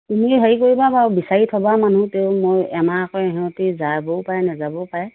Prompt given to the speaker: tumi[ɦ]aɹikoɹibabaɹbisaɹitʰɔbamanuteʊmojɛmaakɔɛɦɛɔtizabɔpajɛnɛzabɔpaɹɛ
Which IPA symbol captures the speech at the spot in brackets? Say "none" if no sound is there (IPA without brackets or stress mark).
ɦ